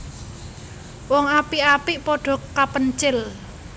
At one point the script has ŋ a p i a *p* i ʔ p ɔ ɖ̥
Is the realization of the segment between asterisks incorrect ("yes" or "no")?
no